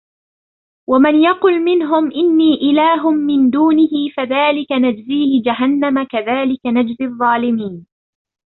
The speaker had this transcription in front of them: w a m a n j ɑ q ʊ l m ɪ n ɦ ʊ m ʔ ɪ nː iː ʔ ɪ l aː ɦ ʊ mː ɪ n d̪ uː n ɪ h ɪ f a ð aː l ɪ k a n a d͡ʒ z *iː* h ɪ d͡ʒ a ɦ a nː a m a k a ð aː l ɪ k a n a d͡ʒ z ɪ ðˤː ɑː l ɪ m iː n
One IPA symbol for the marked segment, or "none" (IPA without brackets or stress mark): iː